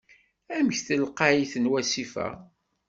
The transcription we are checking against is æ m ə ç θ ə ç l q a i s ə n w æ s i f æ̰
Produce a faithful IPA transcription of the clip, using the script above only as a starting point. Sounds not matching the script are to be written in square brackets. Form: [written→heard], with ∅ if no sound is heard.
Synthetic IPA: æ m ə ç θ ə [ç→∅] l q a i [s→θ] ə n w æ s i f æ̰

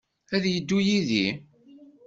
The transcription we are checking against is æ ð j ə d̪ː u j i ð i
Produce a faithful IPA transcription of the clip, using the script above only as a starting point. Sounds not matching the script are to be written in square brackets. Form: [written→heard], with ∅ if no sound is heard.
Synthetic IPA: æ ð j ə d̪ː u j i ð i

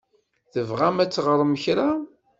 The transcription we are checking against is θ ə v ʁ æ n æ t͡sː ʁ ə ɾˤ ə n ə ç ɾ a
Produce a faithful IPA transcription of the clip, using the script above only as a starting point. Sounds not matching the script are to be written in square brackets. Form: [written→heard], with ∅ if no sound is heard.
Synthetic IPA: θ ə v ʁ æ [n→m] æ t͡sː ʁ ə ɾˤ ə [n→m] ə ç ɾ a

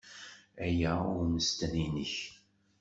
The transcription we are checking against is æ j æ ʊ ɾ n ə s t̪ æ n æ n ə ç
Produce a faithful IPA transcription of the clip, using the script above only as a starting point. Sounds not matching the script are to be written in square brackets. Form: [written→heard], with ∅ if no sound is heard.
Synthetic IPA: æ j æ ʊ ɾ [n→m] ə s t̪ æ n [æ→i] n ə ç

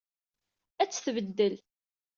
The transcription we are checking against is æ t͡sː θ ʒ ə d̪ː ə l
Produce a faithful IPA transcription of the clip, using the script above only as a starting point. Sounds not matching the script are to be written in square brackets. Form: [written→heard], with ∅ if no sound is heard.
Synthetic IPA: æ t͡sː θ [ʒ→v] ə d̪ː ə l

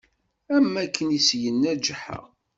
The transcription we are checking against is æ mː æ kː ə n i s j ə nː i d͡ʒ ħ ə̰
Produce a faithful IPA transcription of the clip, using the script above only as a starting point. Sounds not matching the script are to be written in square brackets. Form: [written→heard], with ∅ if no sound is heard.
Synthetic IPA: æ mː æ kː ə n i s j ə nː [i→æ] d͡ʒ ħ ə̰

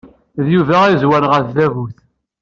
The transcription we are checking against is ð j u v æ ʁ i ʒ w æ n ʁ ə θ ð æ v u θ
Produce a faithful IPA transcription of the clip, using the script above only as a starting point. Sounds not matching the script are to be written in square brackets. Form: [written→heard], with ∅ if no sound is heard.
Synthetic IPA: ð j u v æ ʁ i [ʒ→z] w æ n ʁ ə θ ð æ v u θ

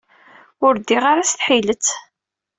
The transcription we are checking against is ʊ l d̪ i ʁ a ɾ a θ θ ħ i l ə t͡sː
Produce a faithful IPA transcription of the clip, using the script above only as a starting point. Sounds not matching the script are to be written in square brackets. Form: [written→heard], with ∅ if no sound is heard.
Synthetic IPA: ʊ [l→ɾ] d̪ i ʁ a ɾ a [θ→s] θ ħ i l ə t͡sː

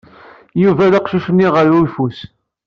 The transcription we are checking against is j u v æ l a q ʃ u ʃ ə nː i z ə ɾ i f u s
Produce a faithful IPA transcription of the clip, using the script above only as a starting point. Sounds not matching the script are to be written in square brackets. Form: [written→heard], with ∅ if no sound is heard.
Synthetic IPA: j u v æ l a q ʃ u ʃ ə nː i [z→ʁ] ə ɾ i f u s

